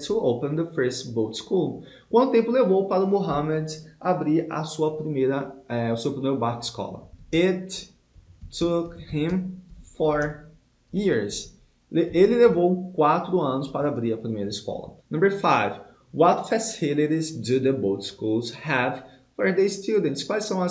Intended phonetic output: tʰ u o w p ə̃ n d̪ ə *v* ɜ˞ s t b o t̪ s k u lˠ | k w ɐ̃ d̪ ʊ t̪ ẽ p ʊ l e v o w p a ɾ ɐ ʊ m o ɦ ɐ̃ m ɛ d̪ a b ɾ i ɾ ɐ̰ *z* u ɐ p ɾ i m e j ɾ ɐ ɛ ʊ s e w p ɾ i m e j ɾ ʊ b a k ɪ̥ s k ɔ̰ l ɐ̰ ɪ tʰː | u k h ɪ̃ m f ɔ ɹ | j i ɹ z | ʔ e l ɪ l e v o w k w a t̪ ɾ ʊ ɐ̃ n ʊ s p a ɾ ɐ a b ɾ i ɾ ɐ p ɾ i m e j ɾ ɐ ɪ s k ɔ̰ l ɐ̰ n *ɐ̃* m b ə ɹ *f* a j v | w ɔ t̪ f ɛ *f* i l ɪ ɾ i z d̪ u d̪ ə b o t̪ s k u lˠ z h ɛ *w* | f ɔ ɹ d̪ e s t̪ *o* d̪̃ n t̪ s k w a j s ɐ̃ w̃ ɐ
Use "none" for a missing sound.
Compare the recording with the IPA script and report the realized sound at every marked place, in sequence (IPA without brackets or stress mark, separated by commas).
f, s, ɐ̃, f, s, v, u